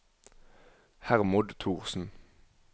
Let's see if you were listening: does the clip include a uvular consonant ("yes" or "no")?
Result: yes